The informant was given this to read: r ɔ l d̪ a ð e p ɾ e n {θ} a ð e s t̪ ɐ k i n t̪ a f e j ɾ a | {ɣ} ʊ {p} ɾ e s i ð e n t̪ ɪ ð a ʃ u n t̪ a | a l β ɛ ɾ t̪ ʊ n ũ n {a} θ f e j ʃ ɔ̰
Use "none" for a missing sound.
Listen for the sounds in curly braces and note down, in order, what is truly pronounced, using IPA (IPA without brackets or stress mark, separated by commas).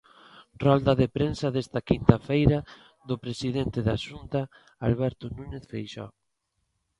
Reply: s, ð, p, e